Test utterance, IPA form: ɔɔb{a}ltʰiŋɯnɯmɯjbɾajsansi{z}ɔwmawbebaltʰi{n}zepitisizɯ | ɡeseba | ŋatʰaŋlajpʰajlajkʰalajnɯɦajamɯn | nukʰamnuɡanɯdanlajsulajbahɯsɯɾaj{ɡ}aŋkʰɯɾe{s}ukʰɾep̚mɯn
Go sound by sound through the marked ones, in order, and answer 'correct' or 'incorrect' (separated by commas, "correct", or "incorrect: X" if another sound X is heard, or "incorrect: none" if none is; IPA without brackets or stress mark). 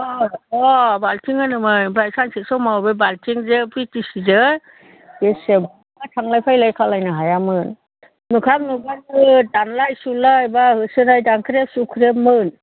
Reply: correct, incorrect: s, incorrect: ŋ, incorrect: d, correct